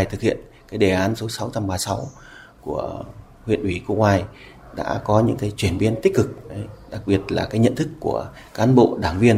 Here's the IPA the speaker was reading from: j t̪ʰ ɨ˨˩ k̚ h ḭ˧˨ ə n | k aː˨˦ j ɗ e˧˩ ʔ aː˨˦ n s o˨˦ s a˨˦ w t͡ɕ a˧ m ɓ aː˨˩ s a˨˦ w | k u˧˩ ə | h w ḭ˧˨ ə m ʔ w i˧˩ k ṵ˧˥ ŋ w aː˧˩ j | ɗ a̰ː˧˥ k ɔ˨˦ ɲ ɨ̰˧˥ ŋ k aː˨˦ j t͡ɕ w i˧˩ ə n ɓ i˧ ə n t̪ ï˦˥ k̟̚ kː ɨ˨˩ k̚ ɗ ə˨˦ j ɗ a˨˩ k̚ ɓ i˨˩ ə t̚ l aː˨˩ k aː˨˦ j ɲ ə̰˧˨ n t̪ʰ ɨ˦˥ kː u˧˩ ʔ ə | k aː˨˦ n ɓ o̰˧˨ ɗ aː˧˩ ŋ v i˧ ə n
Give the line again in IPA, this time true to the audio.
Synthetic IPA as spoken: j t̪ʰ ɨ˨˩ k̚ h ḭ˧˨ ə n | k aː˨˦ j ɗ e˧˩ ʔ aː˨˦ n s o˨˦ s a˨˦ w t͡ɕ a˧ m ɓ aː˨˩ s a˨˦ w | k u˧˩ ə | h w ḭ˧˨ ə n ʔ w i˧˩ k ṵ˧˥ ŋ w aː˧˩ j | ɗ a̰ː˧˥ k ɔ˨˦ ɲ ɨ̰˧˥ ŋ k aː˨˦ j t͡ɕ w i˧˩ ə n ɓ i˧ ə n t̪ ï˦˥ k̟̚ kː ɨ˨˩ k̚ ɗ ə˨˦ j ɗ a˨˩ k̚ ɓ i˨˩ ə t̚ l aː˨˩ k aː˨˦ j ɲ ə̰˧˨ n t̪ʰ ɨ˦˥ kː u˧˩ ə | k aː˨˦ n ɓ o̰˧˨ ɗ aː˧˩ ŋ v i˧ ə n